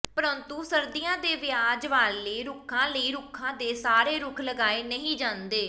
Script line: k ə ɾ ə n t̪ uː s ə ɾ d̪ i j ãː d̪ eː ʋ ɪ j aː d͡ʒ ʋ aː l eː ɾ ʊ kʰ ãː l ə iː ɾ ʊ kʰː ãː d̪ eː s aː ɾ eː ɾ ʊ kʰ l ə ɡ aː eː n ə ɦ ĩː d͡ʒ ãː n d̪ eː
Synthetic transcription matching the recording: p ə ɾ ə n t̪ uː s ə ɾ d̪ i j ãː d̪ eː ʋ ɪ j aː d͡ʒ ʋ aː l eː ɾ ʊ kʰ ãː l ə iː ɾ ʊ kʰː ãː d̪ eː s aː ɾ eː ɾ ʊ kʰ l ə ɡ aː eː n ə ɦ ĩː d͡ʒ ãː n d̪ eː